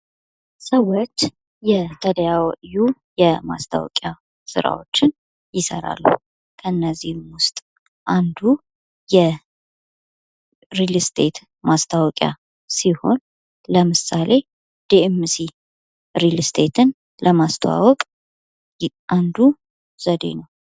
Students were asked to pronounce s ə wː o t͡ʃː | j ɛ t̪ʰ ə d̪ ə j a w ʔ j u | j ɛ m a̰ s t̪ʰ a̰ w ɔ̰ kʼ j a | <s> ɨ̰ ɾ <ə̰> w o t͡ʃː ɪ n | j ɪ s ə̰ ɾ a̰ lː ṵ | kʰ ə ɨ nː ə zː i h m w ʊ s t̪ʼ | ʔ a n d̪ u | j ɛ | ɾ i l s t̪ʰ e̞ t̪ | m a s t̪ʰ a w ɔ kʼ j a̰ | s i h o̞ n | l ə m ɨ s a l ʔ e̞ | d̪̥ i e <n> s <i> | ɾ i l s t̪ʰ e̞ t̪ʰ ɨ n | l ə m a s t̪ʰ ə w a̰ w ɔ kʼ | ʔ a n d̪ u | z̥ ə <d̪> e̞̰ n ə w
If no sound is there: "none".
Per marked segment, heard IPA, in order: s, a̰, m, i, d̪

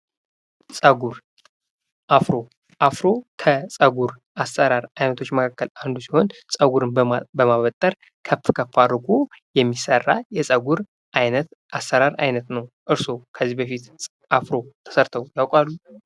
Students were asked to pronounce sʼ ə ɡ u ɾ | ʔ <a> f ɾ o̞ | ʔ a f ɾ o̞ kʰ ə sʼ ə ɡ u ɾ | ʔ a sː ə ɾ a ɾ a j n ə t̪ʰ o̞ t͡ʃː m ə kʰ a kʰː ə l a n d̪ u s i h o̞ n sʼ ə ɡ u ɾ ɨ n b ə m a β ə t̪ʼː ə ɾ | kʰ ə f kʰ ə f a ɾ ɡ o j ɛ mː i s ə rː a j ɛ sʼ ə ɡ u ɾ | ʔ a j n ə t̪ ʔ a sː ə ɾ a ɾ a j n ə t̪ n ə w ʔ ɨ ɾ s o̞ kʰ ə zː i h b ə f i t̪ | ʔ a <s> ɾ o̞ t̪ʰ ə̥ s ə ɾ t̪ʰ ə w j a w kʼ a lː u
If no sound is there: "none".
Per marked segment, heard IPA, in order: a, f

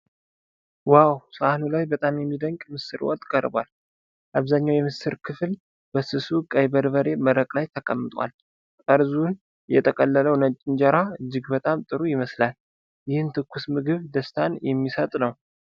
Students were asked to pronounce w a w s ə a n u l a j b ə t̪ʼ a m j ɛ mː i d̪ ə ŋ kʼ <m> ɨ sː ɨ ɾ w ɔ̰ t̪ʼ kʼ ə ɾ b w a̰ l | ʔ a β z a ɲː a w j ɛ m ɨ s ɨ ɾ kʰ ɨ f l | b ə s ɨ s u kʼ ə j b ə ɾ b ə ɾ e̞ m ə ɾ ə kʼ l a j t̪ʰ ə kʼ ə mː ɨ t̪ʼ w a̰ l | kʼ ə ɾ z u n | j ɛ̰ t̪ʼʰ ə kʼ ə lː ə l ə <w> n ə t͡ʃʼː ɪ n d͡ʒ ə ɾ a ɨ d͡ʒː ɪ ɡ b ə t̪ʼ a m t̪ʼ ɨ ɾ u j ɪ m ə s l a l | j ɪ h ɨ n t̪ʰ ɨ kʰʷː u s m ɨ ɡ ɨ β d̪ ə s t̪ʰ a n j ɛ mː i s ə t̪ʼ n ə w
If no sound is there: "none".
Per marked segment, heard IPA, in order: m, w

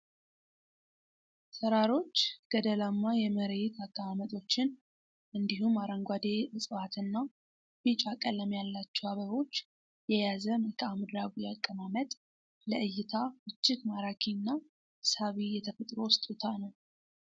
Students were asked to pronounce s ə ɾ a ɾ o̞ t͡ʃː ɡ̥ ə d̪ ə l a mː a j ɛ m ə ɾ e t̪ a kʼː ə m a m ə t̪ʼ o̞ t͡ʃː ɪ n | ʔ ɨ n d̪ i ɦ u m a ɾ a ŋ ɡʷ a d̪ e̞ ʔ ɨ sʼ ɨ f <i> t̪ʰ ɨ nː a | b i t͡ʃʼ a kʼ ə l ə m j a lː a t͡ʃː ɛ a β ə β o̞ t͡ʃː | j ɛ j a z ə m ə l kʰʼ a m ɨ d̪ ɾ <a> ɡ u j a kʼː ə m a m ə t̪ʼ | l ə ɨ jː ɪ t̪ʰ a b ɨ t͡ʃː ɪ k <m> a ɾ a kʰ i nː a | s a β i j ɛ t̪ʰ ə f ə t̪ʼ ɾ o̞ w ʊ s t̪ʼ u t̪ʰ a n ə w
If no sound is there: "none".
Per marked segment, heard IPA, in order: a, a, m

